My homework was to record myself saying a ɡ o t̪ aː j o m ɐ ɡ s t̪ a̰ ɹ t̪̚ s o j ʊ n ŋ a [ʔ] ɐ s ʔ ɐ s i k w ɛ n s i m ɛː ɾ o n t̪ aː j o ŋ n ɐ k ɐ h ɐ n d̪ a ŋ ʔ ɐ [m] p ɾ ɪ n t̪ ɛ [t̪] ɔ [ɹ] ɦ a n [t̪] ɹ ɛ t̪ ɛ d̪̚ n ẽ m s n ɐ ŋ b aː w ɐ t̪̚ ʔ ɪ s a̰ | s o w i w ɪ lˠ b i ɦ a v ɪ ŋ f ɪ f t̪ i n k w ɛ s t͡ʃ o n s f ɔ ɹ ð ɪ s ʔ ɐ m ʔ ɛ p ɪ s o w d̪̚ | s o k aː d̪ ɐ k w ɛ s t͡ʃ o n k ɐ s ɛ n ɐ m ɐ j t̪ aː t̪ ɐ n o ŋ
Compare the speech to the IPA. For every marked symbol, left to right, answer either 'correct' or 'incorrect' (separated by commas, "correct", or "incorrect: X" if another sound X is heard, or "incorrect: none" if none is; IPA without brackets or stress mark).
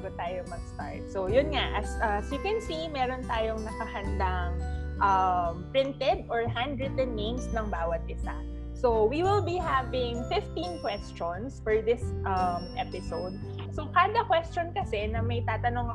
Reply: correct, correct, incorrect: d̪, correct, incorrect: d̪